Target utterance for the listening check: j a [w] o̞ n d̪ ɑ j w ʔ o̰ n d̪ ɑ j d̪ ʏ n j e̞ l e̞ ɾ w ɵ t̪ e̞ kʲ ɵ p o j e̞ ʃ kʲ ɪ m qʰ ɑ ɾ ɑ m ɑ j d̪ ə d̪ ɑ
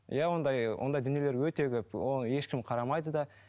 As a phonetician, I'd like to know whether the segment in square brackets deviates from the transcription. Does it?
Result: no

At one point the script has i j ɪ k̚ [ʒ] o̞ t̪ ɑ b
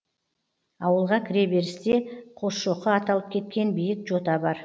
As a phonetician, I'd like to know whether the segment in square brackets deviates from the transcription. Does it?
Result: no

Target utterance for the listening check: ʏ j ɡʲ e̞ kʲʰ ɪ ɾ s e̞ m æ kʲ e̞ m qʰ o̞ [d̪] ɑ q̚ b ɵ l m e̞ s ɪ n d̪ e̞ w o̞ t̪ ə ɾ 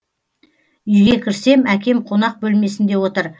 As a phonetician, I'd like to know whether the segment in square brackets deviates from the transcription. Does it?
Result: yes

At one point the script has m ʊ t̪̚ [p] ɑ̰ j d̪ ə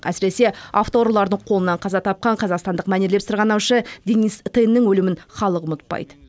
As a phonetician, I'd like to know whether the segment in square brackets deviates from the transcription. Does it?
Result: no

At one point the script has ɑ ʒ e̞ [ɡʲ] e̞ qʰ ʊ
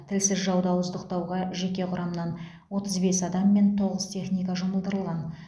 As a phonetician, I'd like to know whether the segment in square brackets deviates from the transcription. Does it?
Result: yes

